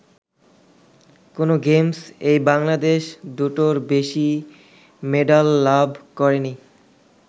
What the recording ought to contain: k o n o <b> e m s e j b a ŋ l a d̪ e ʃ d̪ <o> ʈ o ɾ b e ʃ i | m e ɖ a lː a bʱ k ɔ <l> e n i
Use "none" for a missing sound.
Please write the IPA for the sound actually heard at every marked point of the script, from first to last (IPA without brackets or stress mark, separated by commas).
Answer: ɡ, u, ɾ